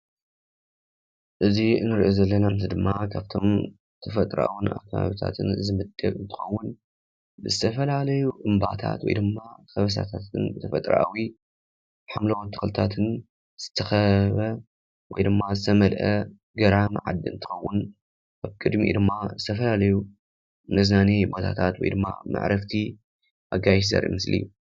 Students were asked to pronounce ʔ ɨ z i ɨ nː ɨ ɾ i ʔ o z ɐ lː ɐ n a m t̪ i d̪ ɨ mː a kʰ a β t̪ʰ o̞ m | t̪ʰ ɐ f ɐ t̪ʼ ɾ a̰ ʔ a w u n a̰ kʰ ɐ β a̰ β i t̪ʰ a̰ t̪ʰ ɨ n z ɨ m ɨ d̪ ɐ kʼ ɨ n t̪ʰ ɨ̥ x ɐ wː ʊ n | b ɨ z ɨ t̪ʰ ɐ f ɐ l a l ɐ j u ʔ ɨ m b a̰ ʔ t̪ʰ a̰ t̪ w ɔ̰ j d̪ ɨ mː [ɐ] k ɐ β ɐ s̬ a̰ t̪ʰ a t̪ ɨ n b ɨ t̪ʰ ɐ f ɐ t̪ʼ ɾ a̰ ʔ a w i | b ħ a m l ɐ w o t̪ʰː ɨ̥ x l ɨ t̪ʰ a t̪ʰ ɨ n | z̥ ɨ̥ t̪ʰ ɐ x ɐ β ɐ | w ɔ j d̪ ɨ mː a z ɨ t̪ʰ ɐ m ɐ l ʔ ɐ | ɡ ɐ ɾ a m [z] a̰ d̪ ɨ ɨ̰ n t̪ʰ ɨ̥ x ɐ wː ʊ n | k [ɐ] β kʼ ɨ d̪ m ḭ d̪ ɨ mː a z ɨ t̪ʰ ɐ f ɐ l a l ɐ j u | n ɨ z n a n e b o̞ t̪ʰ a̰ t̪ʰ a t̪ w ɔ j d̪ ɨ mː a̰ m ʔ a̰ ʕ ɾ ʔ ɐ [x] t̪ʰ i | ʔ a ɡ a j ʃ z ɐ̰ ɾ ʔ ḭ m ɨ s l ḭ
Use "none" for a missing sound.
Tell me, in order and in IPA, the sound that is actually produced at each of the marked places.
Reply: a, ʕ, a, f

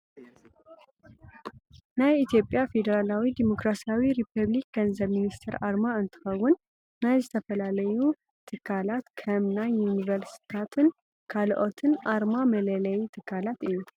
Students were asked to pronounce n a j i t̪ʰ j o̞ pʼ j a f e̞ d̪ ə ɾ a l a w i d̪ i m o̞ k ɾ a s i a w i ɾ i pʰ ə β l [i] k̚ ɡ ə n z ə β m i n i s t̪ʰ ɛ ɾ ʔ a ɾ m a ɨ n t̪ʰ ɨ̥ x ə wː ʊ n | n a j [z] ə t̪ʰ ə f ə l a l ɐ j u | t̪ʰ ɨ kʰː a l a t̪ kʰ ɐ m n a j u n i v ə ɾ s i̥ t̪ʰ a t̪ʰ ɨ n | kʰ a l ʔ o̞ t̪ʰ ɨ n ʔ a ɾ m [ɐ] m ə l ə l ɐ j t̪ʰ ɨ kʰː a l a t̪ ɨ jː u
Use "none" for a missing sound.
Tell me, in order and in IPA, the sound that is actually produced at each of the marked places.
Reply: i, z, a

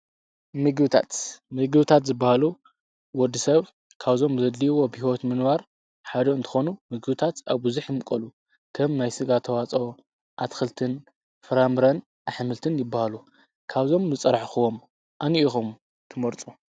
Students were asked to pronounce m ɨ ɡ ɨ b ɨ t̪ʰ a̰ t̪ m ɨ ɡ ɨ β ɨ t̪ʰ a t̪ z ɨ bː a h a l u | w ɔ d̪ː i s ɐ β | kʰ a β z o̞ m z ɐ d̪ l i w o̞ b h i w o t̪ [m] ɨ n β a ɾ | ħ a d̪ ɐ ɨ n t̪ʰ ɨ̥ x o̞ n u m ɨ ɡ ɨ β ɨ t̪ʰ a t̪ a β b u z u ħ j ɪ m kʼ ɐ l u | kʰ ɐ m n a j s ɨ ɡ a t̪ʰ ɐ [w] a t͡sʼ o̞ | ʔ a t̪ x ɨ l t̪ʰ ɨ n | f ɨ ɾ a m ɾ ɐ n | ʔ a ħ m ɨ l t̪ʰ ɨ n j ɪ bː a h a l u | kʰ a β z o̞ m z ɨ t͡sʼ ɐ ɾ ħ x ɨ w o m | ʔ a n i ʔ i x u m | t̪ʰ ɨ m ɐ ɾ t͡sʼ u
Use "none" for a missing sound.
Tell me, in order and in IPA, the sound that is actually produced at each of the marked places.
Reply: m, w

